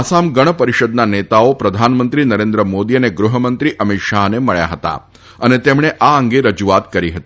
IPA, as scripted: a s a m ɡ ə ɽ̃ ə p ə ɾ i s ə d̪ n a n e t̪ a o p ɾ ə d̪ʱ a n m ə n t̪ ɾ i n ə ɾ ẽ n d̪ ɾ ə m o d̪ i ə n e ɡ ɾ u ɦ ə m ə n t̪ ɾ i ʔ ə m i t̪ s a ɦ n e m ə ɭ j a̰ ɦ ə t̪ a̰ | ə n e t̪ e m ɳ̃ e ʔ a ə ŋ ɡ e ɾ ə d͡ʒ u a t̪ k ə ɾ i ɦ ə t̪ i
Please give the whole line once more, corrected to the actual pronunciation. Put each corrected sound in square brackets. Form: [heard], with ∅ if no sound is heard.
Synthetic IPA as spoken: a s a m ɡ ə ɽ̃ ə p ə ɾ i [ʃ] ə d̪ n a n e t̪ a o p ɾ ə d̪ʱ a n m ə n t̪ ɾ i n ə ɾ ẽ n d̪ ɾ ə m o d̪ i ə n e ɡ ɾ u ɦ ə m ə n t̪ ɾ i ʔ ə m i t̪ [ʃ] a ɦ n e m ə ɭ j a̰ ɦ ə t̪ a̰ | ə n e t̪ e m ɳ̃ e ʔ a ə ŋ ɡ e ɾ ə d͡ʒ u a t̪ k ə ɾ i ɦ ə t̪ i